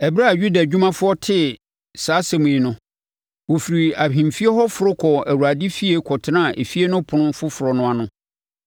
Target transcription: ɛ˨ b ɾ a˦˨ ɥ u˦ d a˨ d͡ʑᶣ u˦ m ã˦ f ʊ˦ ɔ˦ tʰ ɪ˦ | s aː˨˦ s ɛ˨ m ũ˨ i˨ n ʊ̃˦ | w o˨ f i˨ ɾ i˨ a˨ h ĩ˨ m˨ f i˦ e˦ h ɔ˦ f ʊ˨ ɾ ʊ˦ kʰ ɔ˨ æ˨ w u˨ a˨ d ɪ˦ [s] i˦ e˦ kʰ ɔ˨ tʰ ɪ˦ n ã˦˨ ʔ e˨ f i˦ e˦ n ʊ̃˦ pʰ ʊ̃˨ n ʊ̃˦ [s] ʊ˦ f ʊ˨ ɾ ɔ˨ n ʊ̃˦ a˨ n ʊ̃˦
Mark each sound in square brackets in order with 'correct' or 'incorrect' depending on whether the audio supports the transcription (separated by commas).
incorrect, incorrect